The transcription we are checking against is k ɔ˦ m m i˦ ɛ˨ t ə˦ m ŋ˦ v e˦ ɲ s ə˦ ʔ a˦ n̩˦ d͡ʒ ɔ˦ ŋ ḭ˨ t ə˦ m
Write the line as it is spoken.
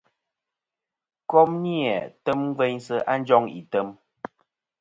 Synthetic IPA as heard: k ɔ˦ m n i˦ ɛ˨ t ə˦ m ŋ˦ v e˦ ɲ s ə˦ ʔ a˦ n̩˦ d͡ʒ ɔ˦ ŋ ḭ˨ t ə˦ m